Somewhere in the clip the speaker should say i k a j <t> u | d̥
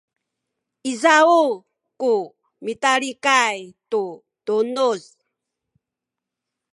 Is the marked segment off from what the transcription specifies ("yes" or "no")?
no